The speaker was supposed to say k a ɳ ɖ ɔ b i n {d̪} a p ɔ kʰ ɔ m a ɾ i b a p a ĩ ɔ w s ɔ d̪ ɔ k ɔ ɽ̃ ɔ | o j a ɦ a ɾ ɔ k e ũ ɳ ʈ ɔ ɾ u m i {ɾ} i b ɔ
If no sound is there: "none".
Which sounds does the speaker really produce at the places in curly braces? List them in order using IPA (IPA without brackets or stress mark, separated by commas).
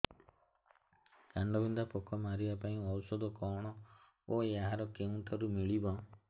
d̪, ɭ